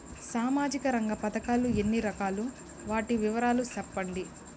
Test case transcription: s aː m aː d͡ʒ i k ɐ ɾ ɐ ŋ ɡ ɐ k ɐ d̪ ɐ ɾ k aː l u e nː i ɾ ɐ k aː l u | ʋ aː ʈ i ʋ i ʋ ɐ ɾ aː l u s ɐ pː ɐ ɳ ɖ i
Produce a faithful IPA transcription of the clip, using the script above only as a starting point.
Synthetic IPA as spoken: s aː m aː d͡ʒ i k ɐ ɾ ɐ ŋ ɡ ɐ p ɐ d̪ ɐ k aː l u e nː i ɾ ɐ k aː l u | ʋ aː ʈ i ʋ i ʋ ɐ ɾ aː l u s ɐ pː ɐ ɳ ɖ i